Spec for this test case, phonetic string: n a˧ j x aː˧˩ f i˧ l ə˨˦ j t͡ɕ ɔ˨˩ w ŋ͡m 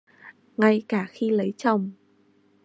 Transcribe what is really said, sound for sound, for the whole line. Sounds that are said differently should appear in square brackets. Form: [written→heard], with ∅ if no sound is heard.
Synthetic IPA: [n→ŋ] a˧ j [x→k] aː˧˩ [f→x] i˧ l ə˨˦ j t͡ɕ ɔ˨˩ w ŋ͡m

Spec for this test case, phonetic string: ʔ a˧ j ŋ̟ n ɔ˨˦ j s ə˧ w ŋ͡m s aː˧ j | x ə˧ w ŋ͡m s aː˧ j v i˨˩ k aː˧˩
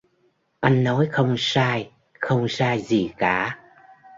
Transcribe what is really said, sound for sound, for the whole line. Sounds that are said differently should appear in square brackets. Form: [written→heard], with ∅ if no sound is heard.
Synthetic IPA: ʔ a˧ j ŋ̟ n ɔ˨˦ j [s→x] ə˧ w ŋ͡m s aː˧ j | x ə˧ w ŋ͡m s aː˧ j [v→z] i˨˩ k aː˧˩

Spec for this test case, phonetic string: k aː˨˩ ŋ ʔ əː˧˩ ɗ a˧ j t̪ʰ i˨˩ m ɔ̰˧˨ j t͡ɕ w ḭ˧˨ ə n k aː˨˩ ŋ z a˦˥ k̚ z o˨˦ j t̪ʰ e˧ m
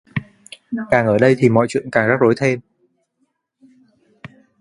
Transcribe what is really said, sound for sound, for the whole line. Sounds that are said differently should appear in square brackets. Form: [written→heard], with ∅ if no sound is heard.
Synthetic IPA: k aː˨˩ ŋ ʔ əː˧˩ ɗ [a˧→ə˧] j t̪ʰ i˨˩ m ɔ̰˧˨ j t͡ɕ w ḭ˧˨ ə n k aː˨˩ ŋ z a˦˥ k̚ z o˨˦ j t̪ʰ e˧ m

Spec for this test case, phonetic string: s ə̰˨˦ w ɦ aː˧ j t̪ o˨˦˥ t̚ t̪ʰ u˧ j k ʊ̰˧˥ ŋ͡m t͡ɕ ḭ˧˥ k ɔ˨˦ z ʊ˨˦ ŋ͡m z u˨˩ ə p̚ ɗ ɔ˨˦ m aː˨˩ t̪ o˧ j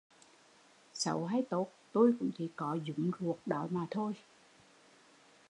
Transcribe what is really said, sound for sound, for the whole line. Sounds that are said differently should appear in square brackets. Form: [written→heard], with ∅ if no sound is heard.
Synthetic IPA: s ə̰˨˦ w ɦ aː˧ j t̪ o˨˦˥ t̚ [t̪ʰ→t̪] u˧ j k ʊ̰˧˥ ŋ͡m t͡ɕ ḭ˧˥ k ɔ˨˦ z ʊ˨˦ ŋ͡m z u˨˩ ə [p̚→k̚] ɗ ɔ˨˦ m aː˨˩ [t̪→t̪ʰ] o˧ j

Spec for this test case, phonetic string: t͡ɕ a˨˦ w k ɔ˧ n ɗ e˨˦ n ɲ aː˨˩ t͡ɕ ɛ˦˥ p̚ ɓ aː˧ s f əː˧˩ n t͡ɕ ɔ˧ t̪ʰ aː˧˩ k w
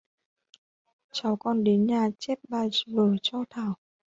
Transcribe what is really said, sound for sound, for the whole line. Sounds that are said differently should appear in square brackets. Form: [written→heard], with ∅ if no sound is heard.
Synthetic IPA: t͡ɕ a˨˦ w k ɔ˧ n ɗ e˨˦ n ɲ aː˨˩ t͡ɕ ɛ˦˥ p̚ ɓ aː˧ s [f→v] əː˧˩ [n→∅] t͡ɕ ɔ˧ t̪ʰ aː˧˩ [k→∅] w

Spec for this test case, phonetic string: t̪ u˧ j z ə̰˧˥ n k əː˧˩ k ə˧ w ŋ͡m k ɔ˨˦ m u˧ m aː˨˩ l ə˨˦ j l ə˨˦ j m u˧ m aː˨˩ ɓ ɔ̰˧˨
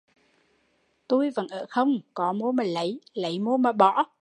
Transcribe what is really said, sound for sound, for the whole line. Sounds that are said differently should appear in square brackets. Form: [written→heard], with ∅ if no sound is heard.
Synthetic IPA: t̪ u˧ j [z→v] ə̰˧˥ n [k→ʔ] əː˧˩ [k→x] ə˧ w ŋ͡m k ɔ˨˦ m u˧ m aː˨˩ l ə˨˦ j l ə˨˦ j m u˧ m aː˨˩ ɓ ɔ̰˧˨

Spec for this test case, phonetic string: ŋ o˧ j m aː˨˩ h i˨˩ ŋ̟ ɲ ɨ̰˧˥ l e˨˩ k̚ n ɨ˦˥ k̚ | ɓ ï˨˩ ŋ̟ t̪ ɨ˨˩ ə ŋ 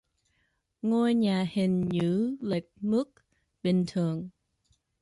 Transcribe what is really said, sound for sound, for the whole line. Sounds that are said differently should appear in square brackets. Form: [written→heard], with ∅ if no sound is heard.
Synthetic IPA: ŋ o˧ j [m→ɲ] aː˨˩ h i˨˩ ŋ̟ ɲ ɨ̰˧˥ l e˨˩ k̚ [n→m] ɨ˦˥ k̚ | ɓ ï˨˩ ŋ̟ [t̪→t̪ʰ] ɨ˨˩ ə ŋ

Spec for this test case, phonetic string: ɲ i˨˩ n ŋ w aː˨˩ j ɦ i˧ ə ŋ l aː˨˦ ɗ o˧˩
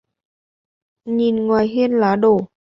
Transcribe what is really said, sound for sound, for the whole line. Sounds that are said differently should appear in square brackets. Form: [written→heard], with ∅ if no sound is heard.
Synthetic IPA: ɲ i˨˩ n ŋ w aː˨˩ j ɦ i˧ ə [ŋ→n] l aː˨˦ ɗ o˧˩

